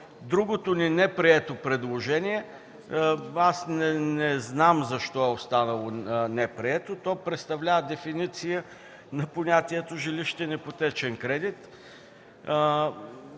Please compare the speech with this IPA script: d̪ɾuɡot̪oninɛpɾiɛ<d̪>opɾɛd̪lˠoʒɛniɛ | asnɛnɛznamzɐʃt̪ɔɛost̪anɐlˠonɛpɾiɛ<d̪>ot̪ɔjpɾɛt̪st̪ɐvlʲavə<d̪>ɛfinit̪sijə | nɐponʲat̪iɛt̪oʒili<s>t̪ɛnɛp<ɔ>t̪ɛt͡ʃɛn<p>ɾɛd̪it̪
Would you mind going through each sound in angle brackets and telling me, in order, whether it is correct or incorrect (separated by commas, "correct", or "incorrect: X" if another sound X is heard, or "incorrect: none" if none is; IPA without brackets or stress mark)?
incorrect: t̪, incorrect: t̪, correct, incorrect: ʃ, incorrect: o, incorrect: k